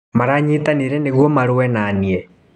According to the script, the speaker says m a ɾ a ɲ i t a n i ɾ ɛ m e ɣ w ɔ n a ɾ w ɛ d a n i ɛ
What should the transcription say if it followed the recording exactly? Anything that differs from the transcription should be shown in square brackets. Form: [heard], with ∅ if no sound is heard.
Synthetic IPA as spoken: m a ɾ a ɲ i t a n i ɾ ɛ [n] e ɣ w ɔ [m] a ɾ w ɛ [n] a n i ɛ